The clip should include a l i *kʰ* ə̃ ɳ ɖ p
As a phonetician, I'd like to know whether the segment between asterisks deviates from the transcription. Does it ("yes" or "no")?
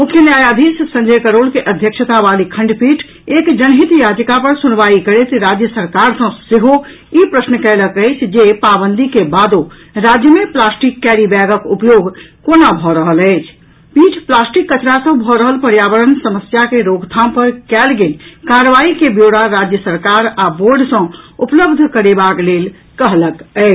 no